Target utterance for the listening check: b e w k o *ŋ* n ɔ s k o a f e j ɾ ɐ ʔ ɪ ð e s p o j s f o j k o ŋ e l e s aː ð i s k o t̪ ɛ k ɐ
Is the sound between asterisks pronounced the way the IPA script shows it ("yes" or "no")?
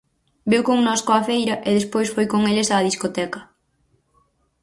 yes